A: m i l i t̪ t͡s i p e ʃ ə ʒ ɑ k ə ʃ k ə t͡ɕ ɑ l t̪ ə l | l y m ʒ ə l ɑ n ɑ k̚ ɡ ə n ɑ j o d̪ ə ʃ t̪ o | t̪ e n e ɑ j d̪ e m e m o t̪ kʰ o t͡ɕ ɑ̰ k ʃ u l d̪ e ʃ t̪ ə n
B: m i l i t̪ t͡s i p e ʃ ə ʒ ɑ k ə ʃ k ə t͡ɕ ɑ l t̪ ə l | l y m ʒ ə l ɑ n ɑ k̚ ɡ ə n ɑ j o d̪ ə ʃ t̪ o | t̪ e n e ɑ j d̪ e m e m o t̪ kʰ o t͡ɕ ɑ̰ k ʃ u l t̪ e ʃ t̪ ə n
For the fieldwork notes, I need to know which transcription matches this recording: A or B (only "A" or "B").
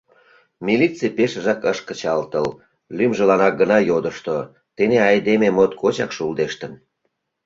A